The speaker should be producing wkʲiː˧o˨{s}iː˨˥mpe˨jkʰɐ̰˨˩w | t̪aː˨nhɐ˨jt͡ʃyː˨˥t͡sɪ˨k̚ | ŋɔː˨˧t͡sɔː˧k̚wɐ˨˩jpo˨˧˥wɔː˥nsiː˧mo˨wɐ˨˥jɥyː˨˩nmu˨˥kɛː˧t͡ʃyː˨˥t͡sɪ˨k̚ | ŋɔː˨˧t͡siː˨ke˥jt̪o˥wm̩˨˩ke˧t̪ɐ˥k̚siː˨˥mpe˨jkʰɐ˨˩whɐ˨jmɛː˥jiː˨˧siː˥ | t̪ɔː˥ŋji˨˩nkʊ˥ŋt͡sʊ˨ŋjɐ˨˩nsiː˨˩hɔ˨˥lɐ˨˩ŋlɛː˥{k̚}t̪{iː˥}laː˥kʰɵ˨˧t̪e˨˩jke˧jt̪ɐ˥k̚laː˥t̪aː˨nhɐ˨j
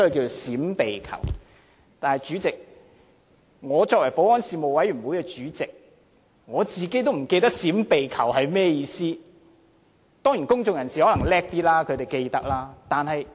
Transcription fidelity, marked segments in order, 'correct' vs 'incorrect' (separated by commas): correct, correct, correct